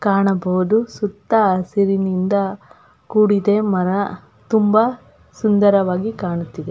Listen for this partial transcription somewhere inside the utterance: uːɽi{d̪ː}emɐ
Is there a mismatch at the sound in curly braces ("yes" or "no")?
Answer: yes